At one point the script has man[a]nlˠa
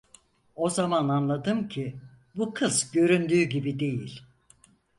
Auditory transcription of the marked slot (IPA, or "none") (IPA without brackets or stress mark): a